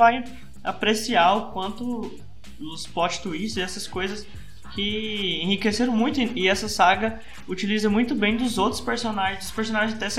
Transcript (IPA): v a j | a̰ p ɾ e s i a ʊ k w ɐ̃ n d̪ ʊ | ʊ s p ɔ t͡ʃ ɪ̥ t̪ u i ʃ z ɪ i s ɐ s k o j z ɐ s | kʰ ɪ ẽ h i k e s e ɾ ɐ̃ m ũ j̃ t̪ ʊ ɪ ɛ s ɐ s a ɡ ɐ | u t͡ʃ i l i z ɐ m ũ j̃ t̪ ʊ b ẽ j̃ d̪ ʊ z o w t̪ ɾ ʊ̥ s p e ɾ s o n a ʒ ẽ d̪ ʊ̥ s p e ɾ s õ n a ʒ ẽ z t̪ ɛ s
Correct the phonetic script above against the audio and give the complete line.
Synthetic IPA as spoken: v a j | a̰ p ɾ e s i a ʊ k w ɐ̃ n t̪ ʊ | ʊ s p ɔ t͡ʃ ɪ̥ t̪ u i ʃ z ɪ ɛ s ɐ s k o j z ɐ s | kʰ ɪ ẽ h i k e s e ɾ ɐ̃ m ũ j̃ t̪ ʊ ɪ ɛ s ɐ s a ɡ ɐ | u t͡ʃ i l i z ɐ m ũ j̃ t̪ ʊ b ẽ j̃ d̪ ʊ z o w t̪ ɾ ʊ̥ s p e ɾ s o n a ʒ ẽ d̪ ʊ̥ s p e ɾ s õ n a ʒ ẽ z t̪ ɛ s